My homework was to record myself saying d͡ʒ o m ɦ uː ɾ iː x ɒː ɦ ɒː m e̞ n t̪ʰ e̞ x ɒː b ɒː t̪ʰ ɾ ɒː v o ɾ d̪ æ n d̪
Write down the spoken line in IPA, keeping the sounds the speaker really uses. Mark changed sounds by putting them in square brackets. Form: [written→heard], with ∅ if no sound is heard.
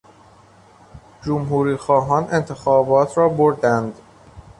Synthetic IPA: d͡ʒ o m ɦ uː ɾ iː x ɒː ɦ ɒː [m→n] e̞ n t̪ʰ e̞ x ɒː b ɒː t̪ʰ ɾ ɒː [v→b] o ɾ d̪ æ n d̪